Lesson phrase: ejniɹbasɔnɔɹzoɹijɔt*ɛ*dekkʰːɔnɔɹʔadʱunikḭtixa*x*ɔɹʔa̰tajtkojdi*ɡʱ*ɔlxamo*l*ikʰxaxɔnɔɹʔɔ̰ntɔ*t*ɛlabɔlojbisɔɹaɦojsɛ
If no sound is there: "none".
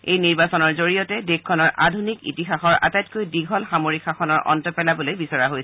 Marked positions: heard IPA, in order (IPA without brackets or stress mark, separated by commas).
ɛ, x, ɡʱ, ɹ, p